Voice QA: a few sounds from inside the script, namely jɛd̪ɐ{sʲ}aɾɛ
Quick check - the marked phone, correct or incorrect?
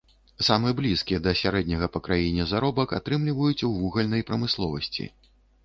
correct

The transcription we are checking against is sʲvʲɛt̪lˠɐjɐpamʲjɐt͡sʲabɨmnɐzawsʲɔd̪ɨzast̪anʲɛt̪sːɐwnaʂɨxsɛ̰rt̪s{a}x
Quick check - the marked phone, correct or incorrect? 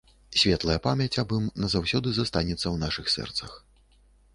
incorrect: ɐ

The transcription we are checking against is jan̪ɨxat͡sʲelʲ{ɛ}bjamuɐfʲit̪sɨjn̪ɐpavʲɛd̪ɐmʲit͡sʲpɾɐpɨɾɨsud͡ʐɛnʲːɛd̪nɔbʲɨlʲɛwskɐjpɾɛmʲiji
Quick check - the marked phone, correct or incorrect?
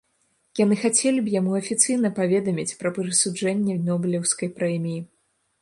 incorrect: i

